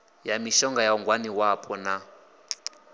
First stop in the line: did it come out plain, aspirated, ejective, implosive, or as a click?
plain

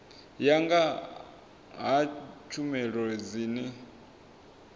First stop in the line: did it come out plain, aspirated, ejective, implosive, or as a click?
plain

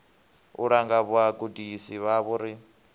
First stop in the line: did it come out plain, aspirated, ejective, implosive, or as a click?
plain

